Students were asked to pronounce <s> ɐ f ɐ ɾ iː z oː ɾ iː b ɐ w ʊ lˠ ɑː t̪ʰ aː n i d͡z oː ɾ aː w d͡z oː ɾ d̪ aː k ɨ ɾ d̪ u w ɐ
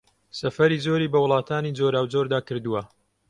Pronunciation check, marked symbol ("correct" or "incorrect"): correct